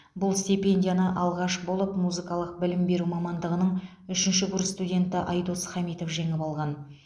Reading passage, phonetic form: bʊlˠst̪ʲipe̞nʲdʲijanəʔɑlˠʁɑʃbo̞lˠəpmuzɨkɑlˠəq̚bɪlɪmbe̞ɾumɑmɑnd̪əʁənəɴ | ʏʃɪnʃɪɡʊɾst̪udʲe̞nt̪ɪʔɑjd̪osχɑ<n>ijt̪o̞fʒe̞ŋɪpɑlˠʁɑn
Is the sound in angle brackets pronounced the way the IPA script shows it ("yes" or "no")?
no